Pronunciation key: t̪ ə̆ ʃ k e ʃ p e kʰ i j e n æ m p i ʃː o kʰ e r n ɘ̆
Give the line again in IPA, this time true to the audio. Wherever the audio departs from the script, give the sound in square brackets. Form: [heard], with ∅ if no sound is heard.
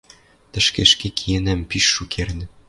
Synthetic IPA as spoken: t̪ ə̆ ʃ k e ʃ [k] e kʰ i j e n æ m p i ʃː [u] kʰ e r n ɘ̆